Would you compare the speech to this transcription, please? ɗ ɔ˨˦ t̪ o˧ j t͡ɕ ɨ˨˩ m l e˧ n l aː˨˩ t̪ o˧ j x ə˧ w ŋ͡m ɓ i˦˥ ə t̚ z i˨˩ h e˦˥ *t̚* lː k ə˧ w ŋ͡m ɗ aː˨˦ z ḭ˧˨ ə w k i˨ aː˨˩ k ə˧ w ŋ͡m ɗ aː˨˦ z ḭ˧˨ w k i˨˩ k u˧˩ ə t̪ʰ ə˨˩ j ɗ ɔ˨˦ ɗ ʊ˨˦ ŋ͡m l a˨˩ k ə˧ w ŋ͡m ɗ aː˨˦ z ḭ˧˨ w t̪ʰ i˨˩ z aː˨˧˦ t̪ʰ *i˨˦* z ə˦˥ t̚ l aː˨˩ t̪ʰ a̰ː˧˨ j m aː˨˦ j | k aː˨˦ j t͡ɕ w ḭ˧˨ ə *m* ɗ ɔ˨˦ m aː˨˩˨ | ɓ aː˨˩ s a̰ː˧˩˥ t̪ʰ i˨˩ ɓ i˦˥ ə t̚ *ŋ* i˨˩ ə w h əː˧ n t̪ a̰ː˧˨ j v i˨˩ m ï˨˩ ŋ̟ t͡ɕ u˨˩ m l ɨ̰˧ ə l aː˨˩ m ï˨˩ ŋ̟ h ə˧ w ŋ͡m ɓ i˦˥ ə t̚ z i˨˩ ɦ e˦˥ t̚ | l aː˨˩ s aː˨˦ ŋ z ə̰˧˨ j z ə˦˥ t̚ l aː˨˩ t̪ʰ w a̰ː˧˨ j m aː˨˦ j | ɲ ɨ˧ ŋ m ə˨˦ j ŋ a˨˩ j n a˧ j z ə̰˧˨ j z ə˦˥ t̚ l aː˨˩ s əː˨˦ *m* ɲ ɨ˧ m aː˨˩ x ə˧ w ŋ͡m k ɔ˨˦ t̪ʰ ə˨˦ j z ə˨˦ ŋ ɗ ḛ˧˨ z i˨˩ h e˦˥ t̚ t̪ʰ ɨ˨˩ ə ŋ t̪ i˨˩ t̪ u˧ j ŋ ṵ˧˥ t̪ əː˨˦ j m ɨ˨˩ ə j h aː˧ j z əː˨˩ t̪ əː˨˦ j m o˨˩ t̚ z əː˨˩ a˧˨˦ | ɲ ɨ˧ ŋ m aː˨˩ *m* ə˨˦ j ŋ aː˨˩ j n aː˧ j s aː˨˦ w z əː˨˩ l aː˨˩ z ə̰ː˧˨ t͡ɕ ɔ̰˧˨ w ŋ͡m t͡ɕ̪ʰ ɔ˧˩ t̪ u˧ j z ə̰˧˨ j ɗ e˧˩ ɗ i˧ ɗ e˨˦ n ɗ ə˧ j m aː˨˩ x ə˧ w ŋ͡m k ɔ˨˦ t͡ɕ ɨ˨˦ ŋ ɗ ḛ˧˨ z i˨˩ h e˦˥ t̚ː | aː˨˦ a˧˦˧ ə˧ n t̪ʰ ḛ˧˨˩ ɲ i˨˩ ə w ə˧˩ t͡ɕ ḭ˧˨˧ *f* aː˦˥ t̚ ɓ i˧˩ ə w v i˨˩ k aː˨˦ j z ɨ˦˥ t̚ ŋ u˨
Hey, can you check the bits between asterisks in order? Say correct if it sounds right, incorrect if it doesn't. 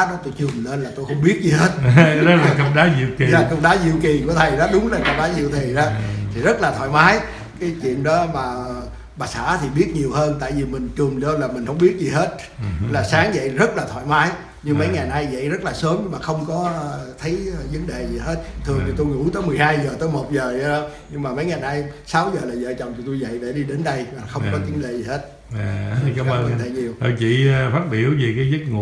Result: correct, incorrect: i˨˩, incorrect: n, incorrect: ɲ, correct, correct, correct

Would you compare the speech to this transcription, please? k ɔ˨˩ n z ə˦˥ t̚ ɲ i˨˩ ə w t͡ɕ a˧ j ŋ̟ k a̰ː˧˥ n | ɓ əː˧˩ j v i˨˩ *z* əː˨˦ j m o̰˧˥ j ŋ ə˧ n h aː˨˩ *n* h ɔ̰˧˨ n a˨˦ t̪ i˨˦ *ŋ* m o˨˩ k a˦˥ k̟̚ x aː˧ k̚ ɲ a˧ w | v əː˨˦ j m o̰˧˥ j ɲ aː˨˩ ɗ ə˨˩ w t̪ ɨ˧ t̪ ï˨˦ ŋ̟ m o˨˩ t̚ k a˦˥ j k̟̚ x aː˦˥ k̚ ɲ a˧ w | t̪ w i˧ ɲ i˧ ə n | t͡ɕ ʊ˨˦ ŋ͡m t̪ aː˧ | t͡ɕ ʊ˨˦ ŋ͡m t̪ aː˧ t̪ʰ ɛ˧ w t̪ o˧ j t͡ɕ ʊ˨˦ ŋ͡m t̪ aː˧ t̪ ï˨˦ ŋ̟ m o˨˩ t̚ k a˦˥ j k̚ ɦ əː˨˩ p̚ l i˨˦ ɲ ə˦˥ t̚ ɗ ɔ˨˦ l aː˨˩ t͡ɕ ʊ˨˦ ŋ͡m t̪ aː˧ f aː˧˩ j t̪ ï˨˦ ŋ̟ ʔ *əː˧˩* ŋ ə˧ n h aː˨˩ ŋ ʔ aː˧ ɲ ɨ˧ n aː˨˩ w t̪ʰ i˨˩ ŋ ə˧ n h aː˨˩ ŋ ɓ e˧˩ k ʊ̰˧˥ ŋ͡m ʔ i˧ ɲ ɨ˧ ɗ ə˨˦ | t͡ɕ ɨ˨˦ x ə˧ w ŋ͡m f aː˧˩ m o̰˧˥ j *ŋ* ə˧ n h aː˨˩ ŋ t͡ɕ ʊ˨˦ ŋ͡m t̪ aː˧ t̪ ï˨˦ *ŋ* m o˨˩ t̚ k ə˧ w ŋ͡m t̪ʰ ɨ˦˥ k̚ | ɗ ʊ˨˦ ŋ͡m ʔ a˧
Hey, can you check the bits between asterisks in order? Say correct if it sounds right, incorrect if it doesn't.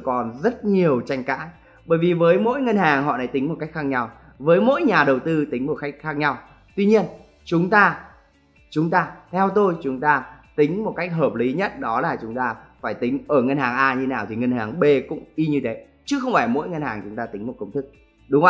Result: incorrect: v, incorrect: ŋ, correct, correct, correct, correct

